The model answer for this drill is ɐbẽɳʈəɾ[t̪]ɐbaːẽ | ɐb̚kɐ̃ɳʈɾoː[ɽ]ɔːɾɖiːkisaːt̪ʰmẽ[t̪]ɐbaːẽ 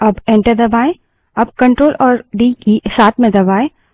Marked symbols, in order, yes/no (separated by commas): no, no, no